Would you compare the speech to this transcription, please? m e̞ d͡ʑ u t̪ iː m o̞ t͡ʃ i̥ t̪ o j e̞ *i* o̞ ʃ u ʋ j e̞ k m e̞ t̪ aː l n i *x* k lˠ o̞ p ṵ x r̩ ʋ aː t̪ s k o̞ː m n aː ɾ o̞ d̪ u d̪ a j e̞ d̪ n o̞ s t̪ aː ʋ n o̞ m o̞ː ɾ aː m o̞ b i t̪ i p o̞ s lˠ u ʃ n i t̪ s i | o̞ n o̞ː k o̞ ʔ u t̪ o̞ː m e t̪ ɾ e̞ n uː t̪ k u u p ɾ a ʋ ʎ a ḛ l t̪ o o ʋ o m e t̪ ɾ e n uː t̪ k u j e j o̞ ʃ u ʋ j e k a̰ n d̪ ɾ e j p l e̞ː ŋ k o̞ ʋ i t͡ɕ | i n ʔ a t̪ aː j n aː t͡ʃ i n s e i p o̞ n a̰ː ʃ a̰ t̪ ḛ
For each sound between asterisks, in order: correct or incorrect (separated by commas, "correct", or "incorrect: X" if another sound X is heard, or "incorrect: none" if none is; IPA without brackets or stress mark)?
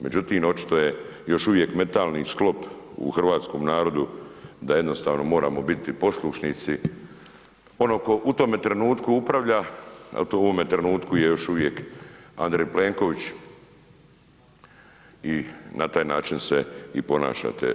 incorrect: j, incorrect: s